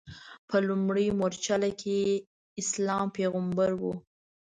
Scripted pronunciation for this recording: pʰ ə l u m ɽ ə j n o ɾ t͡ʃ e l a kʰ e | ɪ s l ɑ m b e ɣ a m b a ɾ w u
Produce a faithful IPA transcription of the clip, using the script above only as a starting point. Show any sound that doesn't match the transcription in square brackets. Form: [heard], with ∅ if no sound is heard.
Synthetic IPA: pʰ ə l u m ɽ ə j [m] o ɾ t͡ʃ [a] l a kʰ e | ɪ s l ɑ m [p] e ɣ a m b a ɾ w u